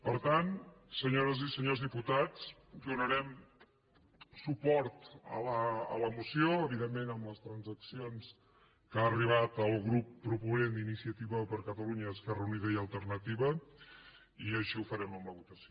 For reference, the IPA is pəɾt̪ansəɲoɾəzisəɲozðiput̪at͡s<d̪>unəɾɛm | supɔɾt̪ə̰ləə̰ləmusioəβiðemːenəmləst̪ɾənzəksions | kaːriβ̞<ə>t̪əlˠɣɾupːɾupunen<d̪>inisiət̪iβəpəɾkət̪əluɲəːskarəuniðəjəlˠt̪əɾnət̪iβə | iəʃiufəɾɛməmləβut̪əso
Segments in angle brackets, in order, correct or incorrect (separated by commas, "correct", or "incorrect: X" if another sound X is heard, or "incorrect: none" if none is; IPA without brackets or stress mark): correct, incorrect: a, correct